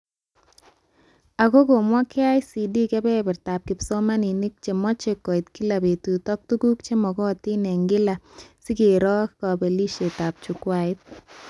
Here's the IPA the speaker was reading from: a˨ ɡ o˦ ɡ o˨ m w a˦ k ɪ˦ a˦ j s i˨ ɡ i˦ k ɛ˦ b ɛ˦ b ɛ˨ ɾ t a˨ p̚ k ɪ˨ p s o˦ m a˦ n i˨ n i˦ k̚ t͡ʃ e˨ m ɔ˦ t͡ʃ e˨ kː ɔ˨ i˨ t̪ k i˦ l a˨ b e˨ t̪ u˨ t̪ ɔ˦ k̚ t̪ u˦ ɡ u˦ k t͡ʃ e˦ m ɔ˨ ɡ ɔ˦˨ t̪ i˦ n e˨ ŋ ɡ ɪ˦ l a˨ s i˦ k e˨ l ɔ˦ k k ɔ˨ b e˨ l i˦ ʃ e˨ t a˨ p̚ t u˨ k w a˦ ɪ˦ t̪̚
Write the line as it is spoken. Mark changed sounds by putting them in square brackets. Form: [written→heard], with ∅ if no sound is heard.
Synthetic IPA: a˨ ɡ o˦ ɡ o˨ m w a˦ k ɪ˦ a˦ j s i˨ [ɡ→d] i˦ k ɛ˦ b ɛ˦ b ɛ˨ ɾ t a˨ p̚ k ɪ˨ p s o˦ m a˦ n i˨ n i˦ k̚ t͡ʃ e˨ m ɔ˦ t͡ʃ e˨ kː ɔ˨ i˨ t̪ k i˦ l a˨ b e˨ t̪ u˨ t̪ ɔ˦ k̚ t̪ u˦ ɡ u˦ k t͡ʃ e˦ m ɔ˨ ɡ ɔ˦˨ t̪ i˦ n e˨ ŋ ɡ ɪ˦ l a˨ s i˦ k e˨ [l→ɾ] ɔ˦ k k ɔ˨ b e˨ l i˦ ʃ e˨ t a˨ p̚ [t→t͡ʃ] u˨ k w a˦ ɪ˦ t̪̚